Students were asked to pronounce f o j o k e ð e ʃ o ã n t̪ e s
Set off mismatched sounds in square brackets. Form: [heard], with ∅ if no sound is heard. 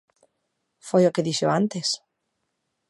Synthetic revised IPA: f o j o k e ð [i] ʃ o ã n t̪ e s